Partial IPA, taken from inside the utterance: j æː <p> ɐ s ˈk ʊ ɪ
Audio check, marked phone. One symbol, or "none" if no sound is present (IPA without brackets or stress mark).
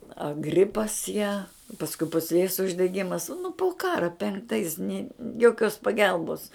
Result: p